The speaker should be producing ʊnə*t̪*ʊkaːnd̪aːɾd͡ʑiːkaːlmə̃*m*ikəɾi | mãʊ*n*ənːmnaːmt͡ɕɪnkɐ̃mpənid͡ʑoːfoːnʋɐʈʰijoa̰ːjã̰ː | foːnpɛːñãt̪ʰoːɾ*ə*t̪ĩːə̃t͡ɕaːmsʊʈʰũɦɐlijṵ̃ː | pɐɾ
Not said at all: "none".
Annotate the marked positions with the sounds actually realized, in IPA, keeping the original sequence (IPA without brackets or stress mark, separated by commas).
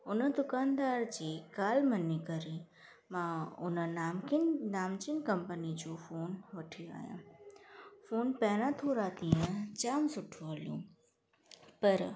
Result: d̪, n, n, a